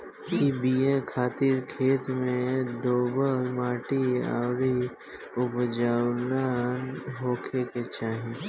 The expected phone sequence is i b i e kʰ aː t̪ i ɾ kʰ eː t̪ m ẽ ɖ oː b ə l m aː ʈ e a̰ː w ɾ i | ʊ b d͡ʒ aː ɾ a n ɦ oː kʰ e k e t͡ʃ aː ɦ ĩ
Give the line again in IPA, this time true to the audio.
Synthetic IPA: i b i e kʰ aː t̪ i ɾ kʰ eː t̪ m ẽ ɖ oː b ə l m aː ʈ i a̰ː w ɾ i | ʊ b d͡ʒ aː l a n ɦ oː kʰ e k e t͡ʃ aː ɦ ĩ